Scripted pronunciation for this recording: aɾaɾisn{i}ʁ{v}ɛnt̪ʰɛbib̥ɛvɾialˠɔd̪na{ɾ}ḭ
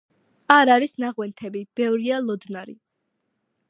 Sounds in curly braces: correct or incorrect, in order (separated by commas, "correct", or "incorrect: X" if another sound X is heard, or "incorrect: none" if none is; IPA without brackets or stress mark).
incorrect: a, incorrect: w, correct